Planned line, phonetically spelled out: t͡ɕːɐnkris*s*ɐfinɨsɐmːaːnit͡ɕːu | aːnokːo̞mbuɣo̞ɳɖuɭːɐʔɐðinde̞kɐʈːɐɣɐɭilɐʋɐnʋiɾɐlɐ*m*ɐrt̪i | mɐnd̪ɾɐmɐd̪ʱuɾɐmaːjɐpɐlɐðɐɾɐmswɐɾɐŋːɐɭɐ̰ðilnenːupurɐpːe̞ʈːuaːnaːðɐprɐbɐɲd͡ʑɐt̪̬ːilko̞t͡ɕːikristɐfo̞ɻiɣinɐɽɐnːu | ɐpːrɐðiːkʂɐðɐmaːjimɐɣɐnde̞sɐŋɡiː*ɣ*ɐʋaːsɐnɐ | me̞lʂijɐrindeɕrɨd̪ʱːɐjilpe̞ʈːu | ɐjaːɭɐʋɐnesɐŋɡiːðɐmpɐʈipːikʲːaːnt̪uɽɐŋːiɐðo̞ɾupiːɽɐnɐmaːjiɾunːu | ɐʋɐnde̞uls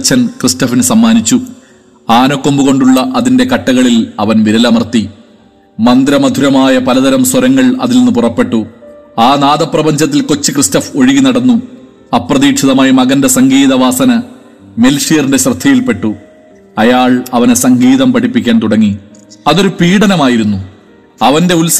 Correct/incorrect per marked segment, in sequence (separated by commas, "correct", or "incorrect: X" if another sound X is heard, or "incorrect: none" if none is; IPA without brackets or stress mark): incorrect: t, correct, incorrect: ð